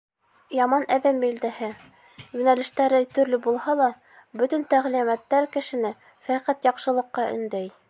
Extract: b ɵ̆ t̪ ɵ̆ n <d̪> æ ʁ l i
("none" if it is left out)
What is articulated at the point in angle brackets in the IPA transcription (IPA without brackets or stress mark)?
t̪